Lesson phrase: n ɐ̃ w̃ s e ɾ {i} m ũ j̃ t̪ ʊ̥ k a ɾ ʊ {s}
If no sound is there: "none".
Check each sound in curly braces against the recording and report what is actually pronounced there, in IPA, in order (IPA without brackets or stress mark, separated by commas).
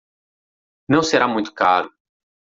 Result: a, none